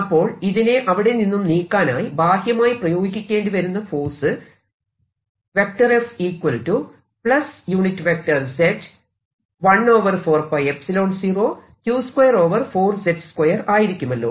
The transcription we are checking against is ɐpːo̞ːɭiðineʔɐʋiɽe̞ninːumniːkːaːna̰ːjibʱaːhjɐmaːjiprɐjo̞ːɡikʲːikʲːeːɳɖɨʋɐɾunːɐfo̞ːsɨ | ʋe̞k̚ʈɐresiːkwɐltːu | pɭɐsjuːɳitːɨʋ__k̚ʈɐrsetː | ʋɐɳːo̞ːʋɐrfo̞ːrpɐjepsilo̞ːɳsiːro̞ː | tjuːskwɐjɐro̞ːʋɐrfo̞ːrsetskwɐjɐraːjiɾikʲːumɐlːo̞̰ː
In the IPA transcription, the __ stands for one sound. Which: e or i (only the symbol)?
e